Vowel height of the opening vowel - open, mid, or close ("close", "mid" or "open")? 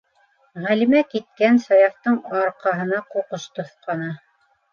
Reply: open